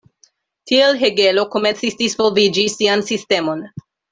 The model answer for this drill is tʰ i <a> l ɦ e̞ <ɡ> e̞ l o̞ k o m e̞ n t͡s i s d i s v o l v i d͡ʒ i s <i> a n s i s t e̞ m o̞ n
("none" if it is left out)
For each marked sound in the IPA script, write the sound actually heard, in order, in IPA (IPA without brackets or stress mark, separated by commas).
e, ɡ, i